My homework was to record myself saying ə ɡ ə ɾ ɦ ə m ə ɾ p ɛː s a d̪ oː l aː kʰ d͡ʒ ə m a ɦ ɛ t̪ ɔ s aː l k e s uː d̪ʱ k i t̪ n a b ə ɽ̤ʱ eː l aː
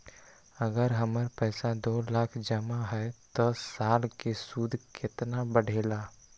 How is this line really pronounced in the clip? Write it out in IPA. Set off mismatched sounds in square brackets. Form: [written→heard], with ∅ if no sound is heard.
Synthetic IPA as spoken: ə ɡ ə ɾ ɦ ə m ə ɾ p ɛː s a d̪ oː l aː kʰ d͡ʒ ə m a ɦ ɛ t̪ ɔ s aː l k e s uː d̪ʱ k [i→ɪ] t̪ n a b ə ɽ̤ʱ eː l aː